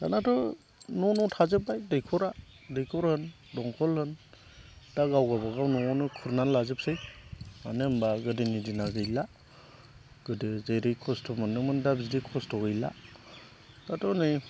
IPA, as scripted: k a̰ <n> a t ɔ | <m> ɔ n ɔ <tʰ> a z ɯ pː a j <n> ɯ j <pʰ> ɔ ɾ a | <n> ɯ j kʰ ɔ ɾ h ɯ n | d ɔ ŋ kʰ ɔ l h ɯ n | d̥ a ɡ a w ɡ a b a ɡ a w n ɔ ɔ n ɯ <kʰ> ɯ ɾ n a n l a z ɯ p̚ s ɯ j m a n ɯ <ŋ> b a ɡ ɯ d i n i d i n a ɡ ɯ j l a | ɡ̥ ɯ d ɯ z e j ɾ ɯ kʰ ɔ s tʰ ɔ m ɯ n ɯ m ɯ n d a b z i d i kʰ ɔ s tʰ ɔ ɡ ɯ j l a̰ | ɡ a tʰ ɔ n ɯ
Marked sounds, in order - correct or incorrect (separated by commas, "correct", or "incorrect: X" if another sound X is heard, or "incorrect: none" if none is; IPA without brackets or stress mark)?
correct, incorrect: n, correct, incorrect: d, incorrect: kʰ, incorrect: d, correct, incorrect: m